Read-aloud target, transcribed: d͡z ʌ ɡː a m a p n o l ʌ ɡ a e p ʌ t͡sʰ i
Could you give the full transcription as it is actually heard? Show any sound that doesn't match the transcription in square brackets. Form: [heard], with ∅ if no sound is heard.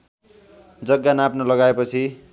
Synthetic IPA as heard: d͡z ʌ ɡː a [n] a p n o l ʌ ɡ a e p ʌ t͡sʰ i